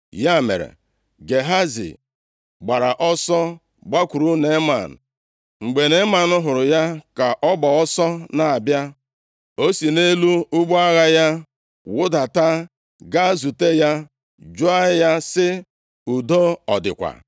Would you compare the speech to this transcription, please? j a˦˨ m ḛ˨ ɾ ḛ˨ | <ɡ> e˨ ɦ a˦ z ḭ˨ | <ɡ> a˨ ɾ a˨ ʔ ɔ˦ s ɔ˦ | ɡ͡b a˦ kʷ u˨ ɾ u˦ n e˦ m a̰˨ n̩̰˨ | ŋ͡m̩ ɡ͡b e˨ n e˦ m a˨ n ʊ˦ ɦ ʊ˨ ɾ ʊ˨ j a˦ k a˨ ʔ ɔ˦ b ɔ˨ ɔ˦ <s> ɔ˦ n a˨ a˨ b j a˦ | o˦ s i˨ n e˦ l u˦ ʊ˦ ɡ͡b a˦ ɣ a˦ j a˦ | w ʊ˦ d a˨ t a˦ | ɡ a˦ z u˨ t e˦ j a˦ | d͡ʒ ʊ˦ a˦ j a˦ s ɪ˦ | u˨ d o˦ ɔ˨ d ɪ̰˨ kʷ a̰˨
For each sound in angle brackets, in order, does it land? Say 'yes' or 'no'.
yes, no, yes

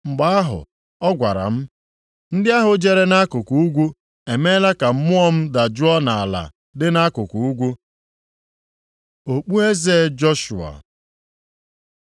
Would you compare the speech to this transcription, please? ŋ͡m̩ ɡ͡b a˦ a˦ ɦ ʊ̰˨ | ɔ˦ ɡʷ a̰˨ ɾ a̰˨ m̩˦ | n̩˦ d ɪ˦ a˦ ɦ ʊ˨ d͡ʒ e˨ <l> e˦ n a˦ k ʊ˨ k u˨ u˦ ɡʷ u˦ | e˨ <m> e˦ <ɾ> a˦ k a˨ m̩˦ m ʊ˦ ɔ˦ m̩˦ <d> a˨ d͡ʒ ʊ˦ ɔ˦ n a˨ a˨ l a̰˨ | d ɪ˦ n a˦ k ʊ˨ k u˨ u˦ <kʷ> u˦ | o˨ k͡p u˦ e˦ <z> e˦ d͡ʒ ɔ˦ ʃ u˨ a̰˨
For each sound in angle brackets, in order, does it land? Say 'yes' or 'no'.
no, yes, no, yes, no, yes

